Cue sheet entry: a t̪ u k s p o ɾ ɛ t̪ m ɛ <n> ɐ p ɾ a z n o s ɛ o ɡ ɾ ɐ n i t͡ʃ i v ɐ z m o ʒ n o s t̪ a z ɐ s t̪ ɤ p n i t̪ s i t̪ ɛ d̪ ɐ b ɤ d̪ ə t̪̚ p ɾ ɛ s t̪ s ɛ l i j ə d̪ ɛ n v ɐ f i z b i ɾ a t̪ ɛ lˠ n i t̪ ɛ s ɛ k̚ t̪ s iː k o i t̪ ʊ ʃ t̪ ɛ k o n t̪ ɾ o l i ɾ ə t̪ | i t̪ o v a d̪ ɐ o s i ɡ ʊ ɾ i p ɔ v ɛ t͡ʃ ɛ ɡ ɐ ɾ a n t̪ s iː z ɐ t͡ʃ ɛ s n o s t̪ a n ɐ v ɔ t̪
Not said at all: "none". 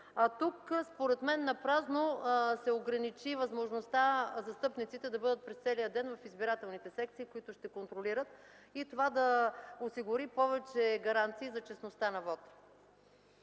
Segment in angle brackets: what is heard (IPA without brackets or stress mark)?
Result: nː